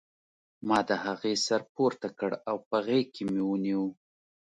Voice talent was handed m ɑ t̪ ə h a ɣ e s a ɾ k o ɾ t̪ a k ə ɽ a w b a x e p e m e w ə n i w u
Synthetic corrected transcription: m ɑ d̪ ə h a ɣ e s a ɾ p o ɾ t̪ a k ə ɽ a w p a ɣ e k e m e w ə n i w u